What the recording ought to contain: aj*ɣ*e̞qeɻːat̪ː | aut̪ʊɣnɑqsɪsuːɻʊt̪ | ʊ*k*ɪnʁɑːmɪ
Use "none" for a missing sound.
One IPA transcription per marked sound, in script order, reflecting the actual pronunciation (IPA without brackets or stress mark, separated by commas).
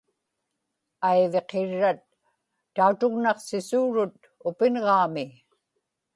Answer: v, p